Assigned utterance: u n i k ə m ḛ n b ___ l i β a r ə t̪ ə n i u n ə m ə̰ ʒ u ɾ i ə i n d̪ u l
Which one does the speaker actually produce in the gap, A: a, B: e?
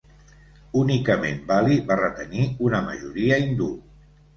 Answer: A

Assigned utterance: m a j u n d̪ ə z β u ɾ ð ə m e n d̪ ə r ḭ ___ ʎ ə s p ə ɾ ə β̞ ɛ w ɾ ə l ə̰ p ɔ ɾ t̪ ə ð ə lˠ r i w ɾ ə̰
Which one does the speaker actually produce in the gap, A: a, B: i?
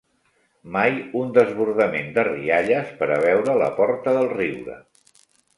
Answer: A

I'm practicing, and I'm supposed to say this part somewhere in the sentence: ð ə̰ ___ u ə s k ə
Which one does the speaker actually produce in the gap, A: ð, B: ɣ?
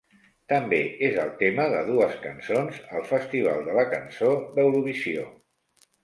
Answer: A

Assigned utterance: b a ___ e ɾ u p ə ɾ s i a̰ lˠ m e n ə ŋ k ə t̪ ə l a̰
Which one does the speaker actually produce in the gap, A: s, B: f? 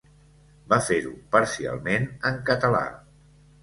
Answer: B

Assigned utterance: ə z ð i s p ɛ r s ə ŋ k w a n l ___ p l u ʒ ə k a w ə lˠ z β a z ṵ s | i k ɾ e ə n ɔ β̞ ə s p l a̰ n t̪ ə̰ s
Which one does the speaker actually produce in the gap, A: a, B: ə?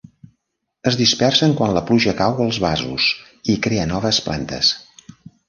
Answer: B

